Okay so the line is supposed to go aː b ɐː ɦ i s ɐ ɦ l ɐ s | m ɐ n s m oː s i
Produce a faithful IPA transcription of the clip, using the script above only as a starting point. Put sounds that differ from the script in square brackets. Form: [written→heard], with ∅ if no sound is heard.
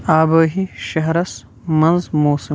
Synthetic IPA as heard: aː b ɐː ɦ i [s→ʃ] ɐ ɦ [l→ɾ] ɐ s | m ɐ n [s→z] m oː s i